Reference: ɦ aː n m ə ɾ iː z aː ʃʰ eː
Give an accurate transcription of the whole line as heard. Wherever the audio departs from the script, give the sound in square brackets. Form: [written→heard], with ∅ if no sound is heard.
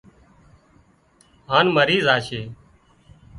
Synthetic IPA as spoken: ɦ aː n m ə ɾ iː z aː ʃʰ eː